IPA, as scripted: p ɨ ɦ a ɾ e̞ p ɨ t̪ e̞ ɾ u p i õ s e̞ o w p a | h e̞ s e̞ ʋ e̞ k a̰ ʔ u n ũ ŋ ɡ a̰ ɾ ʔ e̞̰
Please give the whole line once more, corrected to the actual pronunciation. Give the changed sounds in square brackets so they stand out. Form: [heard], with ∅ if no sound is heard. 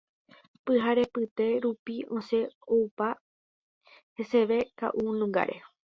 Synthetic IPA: p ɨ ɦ a ɾ e̞ p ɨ t̪ e̞ ɾ u p i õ s e̞ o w p a | h e̞ s e̞ ʋ e̞ k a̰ ʔ u n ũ ŋ ɡ a̰ ɾ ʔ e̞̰